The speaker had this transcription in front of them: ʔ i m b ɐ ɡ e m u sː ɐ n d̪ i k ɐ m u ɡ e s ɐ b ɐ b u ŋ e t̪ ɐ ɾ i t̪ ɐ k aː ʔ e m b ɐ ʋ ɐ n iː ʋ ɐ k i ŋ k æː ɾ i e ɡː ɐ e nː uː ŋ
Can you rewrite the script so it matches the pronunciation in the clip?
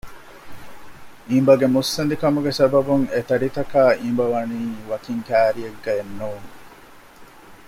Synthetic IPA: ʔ i m b ɐ ɡ e m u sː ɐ n d̪ i k ɐ m u ɡ e s ɐ b ɐ b u ŋ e t̪ ɐ ɾ i t̪ ɐ k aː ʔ i m b ɐ ʋ ɐ n iː ʋ ɐ k i ŋ k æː ɾ i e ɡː ɐ e nː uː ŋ